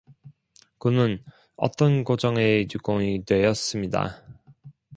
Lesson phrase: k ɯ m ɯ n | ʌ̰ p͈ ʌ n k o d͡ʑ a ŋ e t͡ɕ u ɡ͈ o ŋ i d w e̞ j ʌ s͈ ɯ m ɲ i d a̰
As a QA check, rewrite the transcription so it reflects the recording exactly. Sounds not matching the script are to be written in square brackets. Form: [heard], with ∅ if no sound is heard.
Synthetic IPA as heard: k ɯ [n] ɯ n | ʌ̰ [t͈] ʌ n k o d͡ʑ [ʌ] ŋ e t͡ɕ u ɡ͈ o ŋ i d w e̞ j ʌ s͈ ɯ m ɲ i d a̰